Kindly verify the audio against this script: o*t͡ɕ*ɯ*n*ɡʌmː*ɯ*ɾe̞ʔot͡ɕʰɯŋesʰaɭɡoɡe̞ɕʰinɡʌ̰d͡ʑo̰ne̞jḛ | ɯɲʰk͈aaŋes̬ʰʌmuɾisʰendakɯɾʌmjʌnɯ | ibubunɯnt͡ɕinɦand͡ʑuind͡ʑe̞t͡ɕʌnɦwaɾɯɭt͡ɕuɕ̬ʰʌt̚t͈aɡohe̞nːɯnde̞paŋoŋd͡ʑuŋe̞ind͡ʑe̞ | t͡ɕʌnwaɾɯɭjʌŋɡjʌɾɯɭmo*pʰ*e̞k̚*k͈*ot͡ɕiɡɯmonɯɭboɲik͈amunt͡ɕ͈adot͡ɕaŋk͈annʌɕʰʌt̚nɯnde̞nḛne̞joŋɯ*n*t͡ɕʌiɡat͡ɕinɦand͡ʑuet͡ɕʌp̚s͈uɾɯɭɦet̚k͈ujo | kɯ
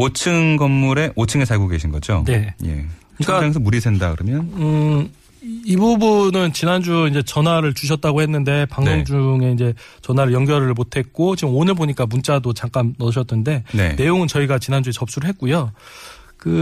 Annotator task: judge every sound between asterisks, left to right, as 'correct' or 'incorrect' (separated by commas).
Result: incorrect, incorrect, incorrect, incorrect, correct, correct